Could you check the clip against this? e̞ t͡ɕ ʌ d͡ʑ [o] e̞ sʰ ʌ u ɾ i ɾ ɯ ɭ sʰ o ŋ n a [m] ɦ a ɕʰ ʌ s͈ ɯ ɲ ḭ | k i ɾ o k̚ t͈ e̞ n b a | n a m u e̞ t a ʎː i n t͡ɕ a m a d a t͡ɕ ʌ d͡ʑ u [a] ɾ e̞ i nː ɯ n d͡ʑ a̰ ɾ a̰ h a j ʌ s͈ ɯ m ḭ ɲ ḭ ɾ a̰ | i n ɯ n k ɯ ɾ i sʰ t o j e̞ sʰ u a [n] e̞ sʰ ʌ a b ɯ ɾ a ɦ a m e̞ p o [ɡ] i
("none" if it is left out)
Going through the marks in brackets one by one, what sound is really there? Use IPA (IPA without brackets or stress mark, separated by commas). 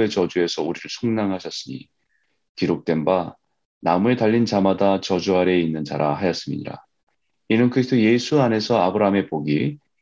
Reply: u, ŋ, a, n, ɡ